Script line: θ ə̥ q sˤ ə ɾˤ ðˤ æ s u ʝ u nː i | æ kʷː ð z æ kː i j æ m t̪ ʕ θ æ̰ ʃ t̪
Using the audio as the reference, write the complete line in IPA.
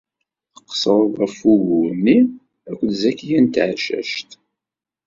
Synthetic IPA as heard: θ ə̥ q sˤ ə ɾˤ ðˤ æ f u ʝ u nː i | æ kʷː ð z æ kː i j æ n t̪ ʕ ʃ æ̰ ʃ t̪